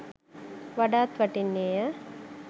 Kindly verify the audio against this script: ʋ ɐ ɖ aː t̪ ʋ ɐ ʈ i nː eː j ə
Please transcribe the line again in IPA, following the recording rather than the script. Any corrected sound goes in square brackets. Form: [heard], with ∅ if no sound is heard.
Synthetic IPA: ʋ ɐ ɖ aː t̪ ʋ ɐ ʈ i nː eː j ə